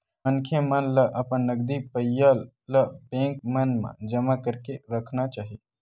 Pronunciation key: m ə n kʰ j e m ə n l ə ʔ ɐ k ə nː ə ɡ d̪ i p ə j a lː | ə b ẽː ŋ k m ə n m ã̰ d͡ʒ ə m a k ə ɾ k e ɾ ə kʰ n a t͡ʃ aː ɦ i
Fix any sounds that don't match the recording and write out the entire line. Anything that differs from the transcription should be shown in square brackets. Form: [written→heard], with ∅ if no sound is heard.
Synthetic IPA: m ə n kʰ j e m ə n l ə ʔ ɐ [k→p] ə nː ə ɡ d̪ i p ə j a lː | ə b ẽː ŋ k m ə n m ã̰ d͡ʒ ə m a k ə ɾ k e ɾ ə kʰ n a t͡ʃ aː ɦ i